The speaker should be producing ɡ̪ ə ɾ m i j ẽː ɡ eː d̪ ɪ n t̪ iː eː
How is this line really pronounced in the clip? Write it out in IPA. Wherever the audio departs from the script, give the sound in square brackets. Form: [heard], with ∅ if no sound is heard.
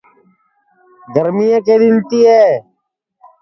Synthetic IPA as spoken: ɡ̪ ə ɾ m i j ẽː [k] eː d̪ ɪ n t̪ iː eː